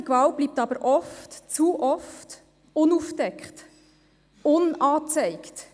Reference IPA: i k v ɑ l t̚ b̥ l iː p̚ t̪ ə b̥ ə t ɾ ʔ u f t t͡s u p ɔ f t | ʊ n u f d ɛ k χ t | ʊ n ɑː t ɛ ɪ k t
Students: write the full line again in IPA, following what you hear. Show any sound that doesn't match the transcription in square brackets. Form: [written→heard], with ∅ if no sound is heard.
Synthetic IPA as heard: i k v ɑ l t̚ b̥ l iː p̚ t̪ [ə→ɑ] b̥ ə [t→∅] ɾ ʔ [u→ɔ] f t t͡s u [p→ʔ] ɔ f t | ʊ n u f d ɛ k χ t | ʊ n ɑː [t→t͡s] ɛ ɪ k t